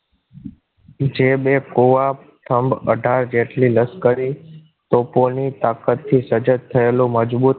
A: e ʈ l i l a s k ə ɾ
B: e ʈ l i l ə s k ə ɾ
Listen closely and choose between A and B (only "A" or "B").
B